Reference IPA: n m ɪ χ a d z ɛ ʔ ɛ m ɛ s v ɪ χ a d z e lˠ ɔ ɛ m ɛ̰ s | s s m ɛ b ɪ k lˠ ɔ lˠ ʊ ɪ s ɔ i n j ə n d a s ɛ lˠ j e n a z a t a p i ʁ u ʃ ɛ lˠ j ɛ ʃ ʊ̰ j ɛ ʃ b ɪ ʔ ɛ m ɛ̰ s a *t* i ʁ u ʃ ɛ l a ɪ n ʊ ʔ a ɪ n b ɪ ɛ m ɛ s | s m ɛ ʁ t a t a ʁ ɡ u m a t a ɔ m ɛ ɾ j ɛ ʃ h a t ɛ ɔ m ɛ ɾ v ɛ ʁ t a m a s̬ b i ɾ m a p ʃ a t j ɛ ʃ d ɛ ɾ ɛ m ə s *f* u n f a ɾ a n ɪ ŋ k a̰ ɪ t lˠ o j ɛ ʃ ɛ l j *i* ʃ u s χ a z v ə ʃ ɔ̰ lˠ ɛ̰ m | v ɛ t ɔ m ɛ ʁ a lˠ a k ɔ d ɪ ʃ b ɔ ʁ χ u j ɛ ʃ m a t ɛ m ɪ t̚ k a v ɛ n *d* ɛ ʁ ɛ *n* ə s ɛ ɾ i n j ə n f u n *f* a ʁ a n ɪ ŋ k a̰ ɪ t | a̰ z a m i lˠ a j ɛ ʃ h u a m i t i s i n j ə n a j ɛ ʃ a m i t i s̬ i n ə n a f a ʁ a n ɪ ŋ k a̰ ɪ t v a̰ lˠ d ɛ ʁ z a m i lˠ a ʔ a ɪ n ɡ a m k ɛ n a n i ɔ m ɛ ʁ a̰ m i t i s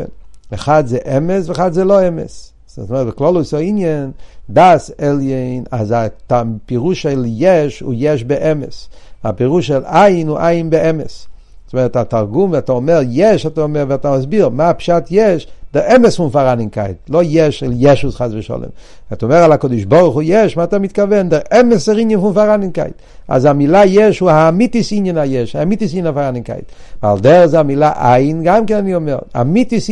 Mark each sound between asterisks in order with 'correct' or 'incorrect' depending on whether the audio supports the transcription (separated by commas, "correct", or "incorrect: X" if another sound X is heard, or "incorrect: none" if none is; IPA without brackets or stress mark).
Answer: incorrect: p, correct, incorrect: ɛ, correct, incorrect: m, correct